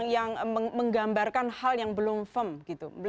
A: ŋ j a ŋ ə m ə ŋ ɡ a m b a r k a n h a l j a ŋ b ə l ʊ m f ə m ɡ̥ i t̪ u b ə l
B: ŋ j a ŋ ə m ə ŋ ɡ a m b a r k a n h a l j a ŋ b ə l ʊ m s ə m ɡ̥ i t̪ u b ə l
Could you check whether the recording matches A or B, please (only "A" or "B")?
A